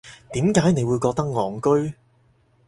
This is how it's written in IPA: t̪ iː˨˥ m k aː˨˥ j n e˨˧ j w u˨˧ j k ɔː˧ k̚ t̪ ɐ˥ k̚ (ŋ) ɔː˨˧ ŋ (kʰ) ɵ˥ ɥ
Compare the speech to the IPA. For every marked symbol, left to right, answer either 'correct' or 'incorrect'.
correct, incorrect: k

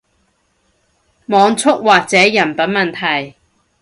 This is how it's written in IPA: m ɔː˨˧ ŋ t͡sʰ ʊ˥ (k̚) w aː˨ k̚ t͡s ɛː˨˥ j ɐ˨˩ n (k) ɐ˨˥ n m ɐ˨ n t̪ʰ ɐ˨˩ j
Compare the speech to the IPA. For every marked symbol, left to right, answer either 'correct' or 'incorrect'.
correct, incorrect: p

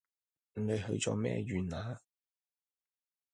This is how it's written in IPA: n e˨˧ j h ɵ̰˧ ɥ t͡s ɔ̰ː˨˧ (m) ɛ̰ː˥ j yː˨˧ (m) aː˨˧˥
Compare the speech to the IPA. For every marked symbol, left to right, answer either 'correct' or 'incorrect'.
correct, incorrect: n

